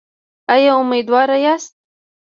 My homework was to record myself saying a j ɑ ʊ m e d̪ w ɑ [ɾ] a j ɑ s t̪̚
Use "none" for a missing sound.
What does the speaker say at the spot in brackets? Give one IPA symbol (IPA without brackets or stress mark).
ɾ